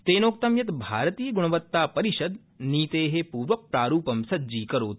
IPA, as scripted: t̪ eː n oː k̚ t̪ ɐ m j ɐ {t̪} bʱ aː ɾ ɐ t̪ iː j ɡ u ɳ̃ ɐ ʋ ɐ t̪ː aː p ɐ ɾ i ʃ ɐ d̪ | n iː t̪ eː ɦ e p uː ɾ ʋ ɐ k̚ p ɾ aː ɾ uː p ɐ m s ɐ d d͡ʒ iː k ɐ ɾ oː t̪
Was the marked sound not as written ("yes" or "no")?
no